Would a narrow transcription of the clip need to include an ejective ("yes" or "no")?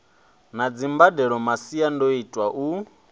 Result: yes